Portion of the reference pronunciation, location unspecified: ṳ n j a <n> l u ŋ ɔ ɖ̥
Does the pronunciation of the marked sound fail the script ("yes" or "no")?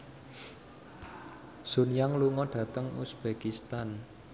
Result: yes